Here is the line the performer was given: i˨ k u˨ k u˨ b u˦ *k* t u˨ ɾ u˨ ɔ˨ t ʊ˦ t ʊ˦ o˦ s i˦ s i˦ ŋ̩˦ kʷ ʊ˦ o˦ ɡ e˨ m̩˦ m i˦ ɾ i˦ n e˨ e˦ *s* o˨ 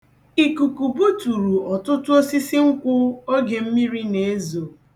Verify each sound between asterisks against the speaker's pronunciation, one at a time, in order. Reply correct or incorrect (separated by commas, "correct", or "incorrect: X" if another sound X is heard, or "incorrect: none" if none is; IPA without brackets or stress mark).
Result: incorrect: none, incorrect: z